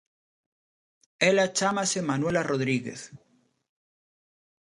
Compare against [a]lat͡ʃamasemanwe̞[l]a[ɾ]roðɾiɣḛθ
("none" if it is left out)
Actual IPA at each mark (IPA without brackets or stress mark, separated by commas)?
e, l, none